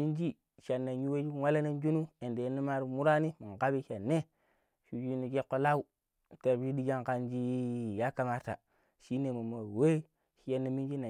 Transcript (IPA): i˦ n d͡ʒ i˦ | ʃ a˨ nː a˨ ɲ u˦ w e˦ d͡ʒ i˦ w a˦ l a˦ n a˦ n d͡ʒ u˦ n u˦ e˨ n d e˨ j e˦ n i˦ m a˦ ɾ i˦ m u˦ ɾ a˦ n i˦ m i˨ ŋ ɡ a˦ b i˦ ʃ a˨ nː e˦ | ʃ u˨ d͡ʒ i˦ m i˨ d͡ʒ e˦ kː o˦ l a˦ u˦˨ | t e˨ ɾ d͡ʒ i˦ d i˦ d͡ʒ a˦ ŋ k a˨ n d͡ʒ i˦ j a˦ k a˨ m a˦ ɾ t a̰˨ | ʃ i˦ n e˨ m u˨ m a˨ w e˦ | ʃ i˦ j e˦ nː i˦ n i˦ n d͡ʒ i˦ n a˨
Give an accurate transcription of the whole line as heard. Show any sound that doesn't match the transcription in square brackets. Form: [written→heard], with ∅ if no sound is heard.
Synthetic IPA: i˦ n d͡ʒ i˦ | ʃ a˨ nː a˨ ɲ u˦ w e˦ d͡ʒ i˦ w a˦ l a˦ n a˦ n d͡ʒ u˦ n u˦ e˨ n d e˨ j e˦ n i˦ m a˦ ɾ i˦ m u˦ ɾ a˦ n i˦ m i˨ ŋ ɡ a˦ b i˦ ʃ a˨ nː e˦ | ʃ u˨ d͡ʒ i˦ [m→n] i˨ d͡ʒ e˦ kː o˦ l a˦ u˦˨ | t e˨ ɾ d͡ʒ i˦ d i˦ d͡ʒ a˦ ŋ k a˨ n d͡ʒ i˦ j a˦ k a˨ m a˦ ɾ t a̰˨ | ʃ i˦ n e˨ m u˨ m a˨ w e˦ | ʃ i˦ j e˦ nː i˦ [n→m] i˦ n d͡ʒ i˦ n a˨

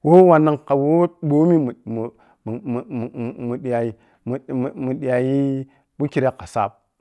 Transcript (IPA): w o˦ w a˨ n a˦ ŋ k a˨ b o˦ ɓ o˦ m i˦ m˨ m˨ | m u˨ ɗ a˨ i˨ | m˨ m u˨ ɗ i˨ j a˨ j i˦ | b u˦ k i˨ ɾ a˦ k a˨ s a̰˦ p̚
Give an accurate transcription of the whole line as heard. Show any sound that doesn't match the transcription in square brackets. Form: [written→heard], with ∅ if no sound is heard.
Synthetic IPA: w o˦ w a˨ n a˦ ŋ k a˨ [b→w] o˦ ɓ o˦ m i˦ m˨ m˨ | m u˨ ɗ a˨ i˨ | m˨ m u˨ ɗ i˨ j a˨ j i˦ | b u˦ k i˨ ɾ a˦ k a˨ s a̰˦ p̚

